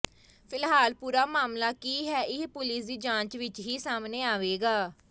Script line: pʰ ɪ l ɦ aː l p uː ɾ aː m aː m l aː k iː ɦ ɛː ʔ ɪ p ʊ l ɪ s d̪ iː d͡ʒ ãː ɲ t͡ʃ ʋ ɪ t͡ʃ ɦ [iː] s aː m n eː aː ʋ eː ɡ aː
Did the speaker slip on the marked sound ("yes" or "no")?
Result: no